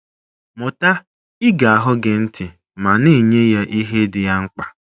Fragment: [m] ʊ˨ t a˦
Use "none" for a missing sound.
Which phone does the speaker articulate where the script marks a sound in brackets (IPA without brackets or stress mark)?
m